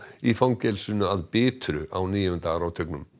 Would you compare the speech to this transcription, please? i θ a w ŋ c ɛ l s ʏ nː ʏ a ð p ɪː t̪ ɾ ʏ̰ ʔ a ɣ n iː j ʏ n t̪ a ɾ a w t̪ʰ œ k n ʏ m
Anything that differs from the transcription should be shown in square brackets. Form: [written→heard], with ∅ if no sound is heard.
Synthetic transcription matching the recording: i [θ→f] a w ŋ c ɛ l s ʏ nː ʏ a ð p ɪː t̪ ɾ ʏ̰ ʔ a [ɣ→w] n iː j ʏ n t̪ a ɾ a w t̪ʰ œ k n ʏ m